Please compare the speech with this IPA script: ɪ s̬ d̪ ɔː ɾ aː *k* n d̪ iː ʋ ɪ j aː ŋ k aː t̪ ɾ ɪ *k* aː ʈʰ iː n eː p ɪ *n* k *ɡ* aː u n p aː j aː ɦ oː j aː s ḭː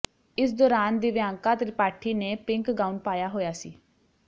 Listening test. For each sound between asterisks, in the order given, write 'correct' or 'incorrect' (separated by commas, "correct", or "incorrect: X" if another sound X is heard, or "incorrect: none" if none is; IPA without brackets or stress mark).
incorrect: none, incorrect: p, incorrect: ŋ, correct